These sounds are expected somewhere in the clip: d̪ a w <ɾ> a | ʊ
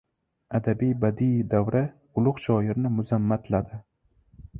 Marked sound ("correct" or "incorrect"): correct